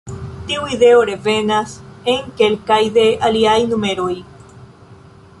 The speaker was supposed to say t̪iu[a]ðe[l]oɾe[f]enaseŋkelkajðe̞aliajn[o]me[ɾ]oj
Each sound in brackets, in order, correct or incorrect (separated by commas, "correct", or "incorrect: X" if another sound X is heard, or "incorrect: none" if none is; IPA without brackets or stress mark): incorrect: i, incorrect: none, incorrect: v, incorrect: u, correct